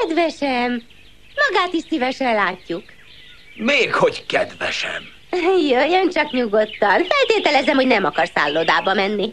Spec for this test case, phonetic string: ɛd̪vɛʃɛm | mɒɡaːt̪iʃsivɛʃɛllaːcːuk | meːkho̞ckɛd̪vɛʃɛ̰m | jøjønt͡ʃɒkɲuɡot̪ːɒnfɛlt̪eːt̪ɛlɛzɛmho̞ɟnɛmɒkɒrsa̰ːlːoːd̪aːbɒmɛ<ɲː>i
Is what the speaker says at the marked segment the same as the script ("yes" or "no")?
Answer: no